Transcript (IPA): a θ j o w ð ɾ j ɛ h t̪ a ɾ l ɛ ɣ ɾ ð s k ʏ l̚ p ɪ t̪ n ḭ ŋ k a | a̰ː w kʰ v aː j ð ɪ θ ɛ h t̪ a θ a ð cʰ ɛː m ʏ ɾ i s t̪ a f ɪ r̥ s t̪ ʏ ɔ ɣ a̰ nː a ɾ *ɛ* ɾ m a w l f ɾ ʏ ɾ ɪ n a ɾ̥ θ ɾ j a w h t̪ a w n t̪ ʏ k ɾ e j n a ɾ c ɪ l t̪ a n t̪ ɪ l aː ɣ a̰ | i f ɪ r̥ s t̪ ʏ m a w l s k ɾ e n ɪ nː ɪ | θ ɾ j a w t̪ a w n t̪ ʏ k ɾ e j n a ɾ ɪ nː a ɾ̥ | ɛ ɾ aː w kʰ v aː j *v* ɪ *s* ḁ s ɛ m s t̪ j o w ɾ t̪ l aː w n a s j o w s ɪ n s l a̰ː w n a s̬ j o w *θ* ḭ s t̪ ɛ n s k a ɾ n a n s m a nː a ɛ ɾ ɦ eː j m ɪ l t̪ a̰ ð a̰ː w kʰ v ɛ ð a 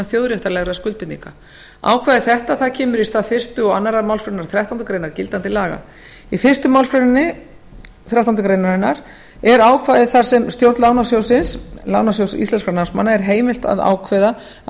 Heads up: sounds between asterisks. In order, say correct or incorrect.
incorrect: a, incorrect: ð, incorrect: θ, incorrect: s

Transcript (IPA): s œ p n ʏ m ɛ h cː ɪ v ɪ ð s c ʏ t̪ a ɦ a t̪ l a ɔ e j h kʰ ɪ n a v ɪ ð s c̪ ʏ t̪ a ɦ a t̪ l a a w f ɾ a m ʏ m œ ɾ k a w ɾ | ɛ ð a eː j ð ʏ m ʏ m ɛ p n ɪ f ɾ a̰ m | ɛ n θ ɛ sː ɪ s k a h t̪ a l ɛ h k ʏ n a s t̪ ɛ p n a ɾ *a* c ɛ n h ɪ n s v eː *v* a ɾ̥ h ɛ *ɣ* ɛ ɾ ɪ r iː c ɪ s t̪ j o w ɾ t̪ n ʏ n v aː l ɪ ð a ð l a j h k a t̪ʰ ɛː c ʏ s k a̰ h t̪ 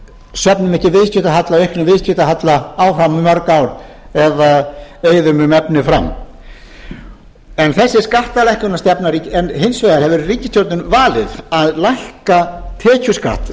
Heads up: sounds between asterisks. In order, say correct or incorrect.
incorrect: i, incorrect: ð, incorrect: v

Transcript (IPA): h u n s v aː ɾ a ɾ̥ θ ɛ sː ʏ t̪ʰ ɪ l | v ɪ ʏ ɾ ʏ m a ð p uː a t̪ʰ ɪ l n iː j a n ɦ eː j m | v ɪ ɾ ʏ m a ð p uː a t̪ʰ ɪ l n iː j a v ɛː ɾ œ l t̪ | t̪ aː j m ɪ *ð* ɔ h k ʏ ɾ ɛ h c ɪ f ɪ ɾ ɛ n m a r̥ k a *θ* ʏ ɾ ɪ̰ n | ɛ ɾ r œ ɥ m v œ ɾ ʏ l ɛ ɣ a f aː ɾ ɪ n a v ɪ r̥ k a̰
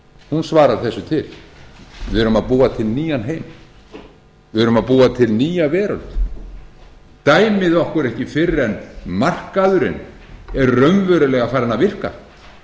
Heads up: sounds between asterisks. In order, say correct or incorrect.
correct, incorrect: ð

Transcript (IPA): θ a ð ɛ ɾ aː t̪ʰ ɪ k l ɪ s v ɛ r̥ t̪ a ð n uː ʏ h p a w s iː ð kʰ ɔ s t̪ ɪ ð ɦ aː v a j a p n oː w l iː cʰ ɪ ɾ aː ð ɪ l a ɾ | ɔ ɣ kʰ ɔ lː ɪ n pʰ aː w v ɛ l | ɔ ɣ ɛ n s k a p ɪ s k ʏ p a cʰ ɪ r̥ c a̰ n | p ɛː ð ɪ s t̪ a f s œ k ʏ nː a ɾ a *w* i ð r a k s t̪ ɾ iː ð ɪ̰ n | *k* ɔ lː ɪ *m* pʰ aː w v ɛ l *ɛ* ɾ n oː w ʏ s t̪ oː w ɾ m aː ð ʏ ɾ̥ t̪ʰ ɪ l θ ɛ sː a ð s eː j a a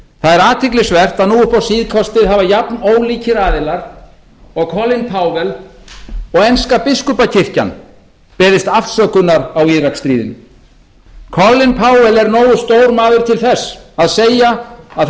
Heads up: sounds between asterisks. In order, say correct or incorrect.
correct, incorrect: kʰ, incorrect: n, correct

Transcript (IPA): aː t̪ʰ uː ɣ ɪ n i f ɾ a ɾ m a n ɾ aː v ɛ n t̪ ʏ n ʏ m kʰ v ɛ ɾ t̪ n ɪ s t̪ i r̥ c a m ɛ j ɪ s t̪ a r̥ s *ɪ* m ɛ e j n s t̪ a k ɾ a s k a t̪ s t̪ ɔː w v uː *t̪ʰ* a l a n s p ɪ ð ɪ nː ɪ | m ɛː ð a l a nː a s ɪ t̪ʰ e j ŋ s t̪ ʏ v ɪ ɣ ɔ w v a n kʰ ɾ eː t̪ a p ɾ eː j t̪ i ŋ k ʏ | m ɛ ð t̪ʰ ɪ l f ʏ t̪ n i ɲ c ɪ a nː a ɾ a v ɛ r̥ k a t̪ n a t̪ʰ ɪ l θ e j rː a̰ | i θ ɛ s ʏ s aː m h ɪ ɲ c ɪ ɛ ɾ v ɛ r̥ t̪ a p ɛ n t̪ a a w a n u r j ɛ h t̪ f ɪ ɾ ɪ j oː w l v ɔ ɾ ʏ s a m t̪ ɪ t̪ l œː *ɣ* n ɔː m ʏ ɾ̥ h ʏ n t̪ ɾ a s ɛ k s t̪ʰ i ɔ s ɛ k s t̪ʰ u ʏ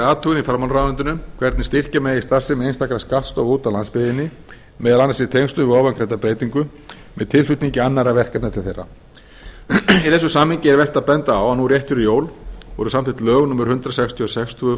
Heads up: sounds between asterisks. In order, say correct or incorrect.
correct, incorrect: t̪, correct

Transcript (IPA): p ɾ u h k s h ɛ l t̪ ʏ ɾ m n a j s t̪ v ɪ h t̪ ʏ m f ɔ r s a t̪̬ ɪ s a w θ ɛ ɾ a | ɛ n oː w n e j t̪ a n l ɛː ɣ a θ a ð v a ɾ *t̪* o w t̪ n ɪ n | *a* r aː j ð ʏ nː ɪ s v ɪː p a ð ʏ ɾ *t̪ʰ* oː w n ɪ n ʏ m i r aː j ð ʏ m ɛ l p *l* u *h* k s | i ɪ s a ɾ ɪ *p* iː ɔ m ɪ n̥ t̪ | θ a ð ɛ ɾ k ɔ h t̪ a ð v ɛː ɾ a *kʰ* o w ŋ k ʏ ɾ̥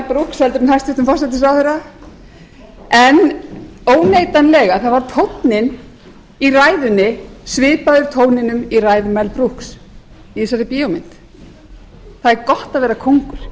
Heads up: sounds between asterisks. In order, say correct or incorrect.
incorrect: t̪ʰ, incorrect: i, correct, incorrect: ɾ, correct, correct, correct

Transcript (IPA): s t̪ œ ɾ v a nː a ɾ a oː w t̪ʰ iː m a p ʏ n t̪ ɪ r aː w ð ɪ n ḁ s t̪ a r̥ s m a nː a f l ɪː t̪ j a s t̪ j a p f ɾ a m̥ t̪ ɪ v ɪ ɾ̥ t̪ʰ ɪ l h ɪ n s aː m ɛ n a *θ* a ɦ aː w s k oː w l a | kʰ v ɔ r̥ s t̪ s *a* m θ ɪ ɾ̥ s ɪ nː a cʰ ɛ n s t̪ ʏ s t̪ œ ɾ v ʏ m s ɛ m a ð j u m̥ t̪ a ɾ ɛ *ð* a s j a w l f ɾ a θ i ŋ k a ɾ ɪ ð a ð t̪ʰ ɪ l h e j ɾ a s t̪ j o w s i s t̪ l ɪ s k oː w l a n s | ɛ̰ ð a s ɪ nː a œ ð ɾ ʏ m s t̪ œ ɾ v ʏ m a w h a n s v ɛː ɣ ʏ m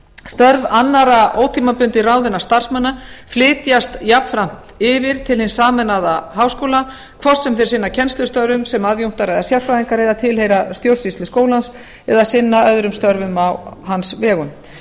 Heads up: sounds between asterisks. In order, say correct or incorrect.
incorrect: ð, incorrect: ɛ, correct

